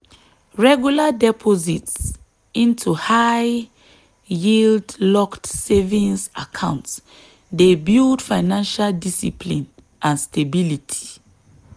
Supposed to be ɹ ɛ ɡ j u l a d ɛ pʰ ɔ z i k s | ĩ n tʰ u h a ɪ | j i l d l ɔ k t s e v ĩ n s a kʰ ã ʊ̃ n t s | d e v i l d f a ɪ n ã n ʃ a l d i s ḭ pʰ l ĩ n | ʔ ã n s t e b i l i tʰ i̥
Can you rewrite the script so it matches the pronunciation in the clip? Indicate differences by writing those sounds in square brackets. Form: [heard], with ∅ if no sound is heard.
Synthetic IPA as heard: ɹ ɛ ɡ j u l a d ɛ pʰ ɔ z i [t] s | ĩ n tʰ u h a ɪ | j i l d l ɔ k t s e v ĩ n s a kʰ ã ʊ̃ n t s | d e [b] i l d f a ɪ n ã n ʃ a l d i s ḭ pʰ l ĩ n | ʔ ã n s t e b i l i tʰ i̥